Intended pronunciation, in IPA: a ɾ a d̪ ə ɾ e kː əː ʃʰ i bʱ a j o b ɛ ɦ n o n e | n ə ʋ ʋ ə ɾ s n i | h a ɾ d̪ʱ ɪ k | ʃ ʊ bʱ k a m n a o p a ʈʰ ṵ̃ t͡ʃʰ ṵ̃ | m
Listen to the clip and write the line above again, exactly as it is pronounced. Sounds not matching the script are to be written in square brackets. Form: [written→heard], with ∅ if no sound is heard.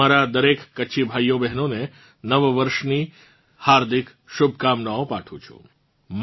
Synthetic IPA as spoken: a ɾ a d̪ ə ɾ e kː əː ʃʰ i bʱ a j o b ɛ ɦ n o n e | n ə ʋ ʋ ə ɾ [s→ʃ] n i | h a ɾ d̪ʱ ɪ k | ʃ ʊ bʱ k a m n a o p a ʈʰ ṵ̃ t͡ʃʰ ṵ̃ | m